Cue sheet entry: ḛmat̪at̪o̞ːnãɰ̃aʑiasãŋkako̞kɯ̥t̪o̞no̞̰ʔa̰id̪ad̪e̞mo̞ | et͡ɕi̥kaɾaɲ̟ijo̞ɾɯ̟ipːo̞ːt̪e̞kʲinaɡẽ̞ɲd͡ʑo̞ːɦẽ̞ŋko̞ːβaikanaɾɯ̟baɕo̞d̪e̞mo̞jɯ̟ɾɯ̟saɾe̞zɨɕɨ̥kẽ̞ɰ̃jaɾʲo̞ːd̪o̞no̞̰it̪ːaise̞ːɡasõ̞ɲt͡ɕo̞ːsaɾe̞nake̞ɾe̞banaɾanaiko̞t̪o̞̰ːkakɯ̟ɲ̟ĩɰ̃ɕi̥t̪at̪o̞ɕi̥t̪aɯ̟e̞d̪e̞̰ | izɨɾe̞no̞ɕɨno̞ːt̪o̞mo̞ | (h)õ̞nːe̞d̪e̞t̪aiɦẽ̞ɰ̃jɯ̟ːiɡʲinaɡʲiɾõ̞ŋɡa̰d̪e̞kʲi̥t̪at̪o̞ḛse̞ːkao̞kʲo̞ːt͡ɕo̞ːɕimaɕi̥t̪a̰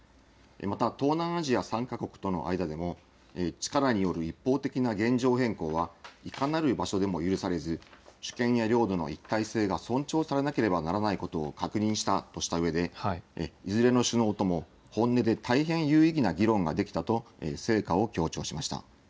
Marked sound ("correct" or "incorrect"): correct